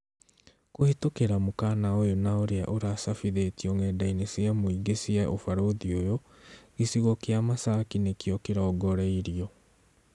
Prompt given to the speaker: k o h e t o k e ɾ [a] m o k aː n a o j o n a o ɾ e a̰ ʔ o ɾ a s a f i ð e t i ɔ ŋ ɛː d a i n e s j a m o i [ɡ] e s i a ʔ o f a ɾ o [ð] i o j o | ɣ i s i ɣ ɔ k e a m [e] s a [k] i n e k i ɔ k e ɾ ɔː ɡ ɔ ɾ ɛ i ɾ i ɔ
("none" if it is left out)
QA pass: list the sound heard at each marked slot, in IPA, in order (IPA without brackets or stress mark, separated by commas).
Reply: a, ɡ, ð, a, k